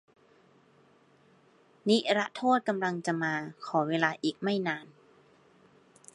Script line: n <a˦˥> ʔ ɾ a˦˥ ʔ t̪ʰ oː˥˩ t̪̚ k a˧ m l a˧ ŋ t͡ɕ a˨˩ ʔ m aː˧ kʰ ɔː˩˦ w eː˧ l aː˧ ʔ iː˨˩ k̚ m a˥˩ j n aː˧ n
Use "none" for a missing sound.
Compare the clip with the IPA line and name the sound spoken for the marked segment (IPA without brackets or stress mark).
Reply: i˦˥